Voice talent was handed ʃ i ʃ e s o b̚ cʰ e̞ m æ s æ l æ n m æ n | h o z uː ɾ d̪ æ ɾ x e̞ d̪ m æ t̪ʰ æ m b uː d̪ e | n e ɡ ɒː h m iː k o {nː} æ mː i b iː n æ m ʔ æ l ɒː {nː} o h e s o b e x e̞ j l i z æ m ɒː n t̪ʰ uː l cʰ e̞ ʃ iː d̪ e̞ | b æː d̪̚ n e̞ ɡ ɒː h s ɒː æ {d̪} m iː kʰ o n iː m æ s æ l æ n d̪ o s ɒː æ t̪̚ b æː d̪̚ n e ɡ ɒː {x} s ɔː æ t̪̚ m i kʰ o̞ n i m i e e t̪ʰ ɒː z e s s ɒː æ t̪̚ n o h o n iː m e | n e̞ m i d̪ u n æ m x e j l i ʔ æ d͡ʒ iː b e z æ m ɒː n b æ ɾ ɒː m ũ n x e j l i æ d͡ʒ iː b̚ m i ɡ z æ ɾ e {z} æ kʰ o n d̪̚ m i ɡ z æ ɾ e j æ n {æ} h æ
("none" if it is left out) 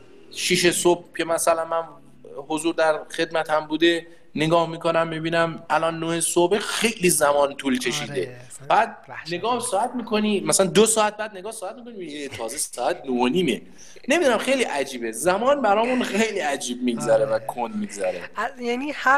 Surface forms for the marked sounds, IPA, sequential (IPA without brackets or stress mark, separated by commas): n, nː, t̪, h, v, i